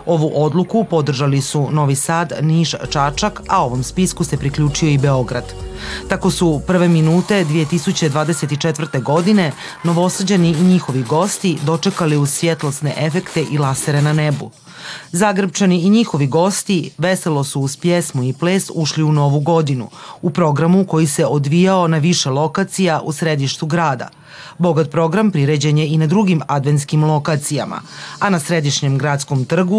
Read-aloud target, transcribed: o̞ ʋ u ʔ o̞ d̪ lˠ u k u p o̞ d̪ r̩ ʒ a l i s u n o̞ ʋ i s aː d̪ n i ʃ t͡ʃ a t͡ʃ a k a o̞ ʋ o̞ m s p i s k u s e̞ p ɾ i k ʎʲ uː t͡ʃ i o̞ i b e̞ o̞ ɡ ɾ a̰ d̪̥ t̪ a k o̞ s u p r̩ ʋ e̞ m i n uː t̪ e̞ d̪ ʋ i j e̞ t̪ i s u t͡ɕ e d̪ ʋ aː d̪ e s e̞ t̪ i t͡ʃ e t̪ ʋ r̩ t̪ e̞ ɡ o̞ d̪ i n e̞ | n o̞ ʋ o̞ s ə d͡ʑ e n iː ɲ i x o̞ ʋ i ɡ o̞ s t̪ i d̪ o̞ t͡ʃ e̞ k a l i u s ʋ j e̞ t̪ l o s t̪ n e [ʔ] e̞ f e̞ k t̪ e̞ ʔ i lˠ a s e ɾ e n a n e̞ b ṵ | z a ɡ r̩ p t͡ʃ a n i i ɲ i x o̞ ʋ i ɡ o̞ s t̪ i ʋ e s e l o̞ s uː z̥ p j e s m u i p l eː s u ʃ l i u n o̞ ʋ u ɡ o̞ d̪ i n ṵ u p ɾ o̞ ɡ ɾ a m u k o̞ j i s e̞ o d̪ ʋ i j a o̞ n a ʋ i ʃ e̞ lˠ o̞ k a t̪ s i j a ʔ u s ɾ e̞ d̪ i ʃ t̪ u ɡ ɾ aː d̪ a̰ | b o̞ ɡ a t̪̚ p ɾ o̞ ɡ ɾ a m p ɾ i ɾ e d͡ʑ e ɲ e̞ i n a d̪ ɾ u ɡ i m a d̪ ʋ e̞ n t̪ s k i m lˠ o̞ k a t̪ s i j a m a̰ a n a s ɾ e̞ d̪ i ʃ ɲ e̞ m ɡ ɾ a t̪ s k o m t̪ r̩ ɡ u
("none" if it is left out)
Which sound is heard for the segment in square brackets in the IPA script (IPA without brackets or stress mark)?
ʔ